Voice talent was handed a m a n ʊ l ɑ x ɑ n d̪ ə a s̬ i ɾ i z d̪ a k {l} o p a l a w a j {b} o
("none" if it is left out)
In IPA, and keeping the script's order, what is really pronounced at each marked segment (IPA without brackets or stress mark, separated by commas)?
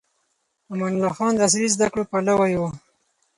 ɽ, w